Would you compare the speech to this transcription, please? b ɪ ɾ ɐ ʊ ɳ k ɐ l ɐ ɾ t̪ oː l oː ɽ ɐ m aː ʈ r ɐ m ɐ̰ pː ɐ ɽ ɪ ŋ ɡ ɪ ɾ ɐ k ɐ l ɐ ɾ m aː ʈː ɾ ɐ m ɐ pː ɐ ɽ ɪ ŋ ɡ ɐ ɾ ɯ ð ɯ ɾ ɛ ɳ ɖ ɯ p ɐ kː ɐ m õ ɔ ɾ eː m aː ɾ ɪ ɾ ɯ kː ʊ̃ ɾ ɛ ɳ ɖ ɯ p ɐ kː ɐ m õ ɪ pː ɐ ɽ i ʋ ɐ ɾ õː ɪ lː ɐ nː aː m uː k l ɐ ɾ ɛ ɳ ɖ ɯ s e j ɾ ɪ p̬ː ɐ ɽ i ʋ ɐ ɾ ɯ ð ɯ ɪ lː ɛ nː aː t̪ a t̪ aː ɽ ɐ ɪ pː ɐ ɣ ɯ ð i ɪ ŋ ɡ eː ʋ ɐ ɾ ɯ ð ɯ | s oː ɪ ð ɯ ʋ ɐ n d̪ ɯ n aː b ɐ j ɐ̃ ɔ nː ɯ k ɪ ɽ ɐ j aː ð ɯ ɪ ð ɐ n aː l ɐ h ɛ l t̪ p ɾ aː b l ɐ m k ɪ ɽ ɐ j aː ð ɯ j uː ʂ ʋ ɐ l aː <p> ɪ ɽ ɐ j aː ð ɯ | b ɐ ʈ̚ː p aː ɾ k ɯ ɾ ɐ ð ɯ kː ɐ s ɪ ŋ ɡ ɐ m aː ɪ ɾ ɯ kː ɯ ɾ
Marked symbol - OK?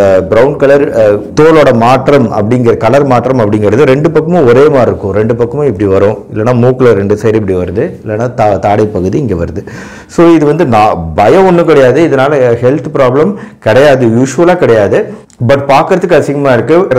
no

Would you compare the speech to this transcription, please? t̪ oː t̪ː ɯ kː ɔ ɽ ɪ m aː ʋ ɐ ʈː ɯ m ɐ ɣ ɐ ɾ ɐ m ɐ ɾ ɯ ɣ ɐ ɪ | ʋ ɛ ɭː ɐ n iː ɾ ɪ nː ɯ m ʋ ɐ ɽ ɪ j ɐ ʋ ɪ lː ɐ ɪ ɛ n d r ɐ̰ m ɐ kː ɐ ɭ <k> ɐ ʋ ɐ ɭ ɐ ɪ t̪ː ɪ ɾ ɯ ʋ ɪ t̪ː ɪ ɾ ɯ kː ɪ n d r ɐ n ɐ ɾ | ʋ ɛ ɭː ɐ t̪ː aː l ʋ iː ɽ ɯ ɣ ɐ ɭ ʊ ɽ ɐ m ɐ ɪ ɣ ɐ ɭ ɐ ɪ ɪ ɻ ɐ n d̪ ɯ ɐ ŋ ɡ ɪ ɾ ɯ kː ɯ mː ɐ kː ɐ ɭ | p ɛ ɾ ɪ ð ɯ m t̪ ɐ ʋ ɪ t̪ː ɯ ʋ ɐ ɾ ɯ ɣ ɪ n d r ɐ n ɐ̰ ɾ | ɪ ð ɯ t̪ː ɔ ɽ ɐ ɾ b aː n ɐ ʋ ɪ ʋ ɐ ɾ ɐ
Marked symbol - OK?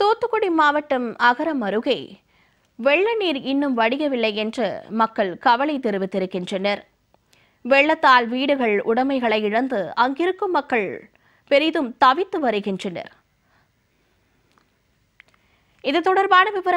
yes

